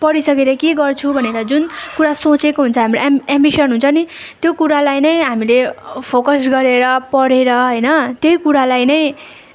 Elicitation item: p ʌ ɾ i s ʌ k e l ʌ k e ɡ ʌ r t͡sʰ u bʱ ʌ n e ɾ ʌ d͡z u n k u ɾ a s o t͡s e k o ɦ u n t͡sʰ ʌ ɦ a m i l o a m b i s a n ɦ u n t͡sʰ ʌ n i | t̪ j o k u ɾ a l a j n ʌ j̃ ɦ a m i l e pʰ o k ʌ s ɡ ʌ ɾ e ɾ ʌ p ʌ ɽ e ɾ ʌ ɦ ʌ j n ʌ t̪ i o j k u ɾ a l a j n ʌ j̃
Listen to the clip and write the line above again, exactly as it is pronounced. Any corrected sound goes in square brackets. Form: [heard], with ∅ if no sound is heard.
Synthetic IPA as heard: p ʌ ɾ i s ʌ k e [ɾ] ʌ k e ɡ ʌ r t͡sʰ u bʱ ʌ n e ɾ ʌ d͡z u n k u ɾ a s o t͡s e k o ɦ u n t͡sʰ ʌ ɦ a m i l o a m b i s [ʌ] n ɦ u n t͡sʰ ʌ n i | t̪ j o k u ɾ a l a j n ʌ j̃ ɦ a m i l e pʰ o k ʌ s ɡ ʌ ɾ e ɾ ʌ p ʌ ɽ e ɾ ʌ ɦ ʌ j n ʌ t̪ [j] o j k u ɾ a l a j n ʌ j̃